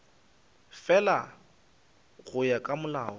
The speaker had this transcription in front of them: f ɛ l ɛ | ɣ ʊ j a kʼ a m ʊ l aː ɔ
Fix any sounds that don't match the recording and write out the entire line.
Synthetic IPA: f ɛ l a | ɣ ʊ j a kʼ a m ʊ l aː ɔ